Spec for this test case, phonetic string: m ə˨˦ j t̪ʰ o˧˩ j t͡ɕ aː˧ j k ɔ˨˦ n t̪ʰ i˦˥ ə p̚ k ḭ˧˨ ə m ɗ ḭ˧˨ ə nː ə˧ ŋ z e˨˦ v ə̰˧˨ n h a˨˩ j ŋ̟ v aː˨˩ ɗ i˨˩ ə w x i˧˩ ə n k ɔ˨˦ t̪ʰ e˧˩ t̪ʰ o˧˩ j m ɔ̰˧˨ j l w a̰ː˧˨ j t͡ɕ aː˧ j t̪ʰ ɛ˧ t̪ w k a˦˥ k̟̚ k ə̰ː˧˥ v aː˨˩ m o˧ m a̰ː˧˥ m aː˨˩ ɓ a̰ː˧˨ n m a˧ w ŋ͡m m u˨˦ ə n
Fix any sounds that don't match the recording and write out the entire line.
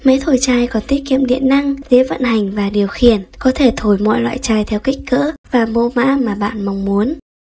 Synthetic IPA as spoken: m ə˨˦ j t̪ʰ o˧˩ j t͡ɕ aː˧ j k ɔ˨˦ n t̪ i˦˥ ə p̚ k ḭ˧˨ ə m ɗ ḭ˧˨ ə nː a˧ ŋ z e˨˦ v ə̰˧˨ n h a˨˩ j ŋ̟ v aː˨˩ ɗ i˨˩ ə w x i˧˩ ə n k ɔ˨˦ t̪ʰ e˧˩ t̪ʰ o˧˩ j m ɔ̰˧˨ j l w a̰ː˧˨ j t͡ɕ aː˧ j t̪ʰ ɛ˧ w k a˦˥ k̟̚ k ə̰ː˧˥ v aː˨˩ m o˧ m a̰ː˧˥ m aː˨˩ ɓ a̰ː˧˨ n m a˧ w ŋ͡m m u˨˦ ə n